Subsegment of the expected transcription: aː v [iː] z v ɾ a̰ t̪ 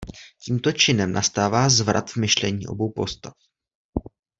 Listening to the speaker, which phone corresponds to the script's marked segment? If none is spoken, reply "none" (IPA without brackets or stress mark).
aː